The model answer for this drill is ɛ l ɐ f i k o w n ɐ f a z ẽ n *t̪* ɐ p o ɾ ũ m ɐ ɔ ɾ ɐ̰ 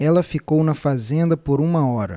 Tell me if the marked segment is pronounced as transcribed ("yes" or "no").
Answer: no